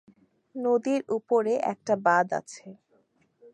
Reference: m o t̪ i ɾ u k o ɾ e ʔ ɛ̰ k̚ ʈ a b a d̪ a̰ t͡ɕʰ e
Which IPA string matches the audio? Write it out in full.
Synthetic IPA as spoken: n o d̪ i ɾ u p o ɾ e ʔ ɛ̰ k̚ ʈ a b a d̪ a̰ t͡ɕʰ e